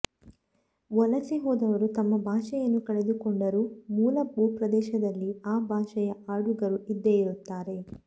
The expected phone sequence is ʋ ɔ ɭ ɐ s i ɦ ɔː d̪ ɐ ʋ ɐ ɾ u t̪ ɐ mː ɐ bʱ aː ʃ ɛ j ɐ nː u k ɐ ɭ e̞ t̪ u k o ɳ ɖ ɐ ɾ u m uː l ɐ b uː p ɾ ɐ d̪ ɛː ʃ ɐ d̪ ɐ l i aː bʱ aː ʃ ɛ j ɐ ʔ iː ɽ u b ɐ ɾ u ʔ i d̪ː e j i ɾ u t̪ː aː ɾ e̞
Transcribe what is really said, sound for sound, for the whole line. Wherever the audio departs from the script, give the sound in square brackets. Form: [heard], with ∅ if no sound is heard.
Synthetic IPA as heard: ʋ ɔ [l] ɐ s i ɦ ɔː d̪ ɐ ʋ ɐ ɾ u t̪ ɐ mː ɐ bʱ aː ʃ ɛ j ɐ nː u k ɐ ɭ e̞ [d̪] u k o ɳ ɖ ɐ ɾ u m uː l ɐ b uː p ɾ ɐ d̪ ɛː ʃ ɐ d̪ ɐ [lː] i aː bʱ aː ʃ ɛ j ɐ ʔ [aː] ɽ u [ɡ] ɐ ɾ u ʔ i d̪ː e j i ɾ u t̪ː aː ɾ e̞